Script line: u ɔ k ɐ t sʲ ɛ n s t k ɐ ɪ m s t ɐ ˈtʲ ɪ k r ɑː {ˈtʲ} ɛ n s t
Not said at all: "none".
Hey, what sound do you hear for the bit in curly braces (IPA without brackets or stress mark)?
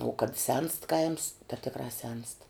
sʲ